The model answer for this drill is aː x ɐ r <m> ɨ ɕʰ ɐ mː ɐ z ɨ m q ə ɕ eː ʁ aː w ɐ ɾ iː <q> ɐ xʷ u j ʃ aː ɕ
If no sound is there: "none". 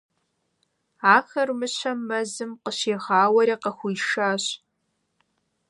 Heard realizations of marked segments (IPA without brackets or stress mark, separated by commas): m, q